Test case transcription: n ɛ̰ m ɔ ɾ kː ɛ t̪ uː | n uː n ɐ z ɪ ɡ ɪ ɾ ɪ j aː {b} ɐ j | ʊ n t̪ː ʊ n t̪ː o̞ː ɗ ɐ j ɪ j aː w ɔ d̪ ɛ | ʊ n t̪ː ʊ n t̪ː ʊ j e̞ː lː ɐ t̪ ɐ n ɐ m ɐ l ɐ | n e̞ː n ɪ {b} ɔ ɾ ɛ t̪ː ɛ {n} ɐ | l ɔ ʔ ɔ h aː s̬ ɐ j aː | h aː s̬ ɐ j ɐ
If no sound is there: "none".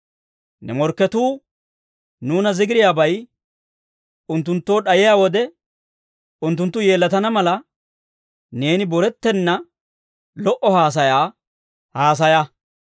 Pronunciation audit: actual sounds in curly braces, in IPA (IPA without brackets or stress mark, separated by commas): b, b, nː